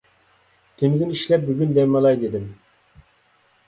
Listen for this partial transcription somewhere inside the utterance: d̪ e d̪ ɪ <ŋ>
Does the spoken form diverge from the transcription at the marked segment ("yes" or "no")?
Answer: yes